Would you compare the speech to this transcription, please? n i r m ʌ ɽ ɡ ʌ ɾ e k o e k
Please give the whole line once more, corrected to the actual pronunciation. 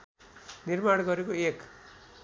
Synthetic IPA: n i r m a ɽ ɡ ʌ ɾ e k o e k